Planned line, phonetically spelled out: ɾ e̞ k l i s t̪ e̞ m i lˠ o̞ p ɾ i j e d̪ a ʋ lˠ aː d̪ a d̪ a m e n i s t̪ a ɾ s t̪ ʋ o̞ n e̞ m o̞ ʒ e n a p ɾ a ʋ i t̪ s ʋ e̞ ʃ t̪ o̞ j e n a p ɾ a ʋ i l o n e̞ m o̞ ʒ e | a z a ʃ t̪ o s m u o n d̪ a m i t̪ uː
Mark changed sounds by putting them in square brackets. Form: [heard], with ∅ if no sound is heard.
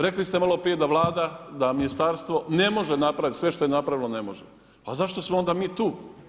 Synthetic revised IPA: ɾ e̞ k l i s t̪ e̞ m [a] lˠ o̞ p ɾ i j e d̪ a ʋ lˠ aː d̪ a d̪ a m [i] n i s t̪ a ɾ s t̪ ʋ o̞ n e̞ m o̞ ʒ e n a p ɾ a ʋ i t̪ s ʋ e̞ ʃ t̪ o̞ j e n a p ɾ a ʋ i l o n e̞ m o̞ ʒ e | a z a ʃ t̪ o s m [o] o n d̪ a m [iː] t̪ uː